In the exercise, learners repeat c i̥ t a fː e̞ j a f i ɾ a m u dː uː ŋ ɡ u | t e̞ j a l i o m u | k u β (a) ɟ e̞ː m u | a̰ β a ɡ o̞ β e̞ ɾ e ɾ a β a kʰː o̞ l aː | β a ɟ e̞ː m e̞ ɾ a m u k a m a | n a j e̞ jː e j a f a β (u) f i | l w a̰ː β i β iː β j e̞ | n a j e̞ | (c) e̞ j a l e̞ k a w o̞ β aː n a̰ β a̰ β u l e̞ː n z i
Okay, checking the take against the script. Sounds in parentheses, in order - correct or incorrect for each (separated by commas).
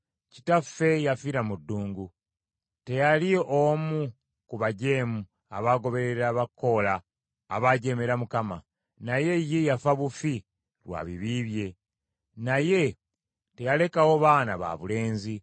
correct, correct, incorrect